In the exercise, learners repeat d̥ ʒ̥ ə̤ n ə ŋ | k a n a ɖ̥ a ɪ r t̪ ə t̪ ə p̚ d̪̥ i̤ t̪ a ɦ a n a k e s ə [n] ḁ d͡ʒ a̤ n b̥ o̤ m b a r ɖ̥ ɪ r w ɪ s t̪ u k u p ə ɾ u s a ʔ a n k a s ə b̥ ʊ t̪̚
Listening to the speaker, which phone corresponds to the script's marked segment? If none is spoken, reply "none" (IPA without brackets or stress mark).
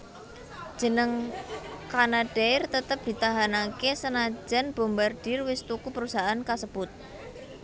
n